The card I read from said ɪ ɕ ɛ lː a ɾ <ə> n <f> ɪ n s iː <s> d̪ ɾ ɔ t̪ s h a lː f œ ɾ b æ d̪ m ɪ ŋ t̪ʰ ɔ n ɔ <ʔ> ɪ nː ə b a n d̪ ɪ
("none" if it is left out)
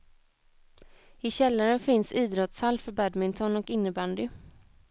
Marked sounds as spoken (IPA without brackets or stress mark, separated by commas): ə, f, none, k